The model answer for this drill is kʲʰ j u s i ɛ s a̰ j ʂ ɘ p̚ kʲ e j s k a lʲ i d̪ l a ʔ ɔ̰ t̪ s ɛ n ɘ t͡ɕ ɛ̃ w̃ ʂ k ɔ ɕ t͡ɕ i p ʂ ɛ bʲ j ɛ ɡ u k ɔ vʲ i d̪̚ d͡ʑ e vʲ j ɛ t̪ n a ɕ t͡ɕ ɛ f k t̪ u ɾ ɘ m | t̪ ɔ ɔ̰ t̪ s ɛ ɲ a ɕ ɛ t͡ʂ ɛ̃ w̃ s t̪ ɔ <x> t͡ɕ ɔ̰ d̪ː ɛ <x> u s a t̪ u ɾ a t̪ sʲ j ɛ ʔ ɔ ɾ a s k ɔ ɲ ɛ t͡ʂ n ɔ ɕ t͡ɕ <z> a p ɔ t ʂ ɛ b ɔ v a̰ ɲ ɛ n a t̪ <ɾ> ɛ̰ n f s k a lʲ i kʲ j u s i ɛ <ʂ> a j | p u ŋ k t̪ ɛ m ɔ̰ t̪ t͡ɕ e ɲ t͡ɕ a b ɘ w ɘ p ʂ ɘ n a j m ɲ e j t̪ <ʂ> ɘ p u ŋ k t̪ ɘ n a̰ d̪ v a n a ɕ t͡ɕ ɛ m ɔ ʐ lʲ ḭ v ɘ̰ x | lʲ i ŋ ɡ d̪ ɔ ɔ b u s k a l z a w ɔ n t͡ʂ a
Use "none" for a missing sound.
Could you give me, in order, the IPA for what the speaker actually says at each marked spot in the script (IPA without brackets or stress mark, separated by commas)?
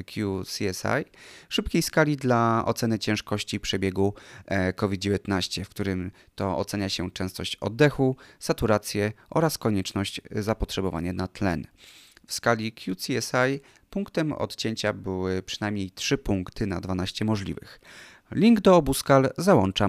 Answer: ɕ, x, z, l, s, ʂ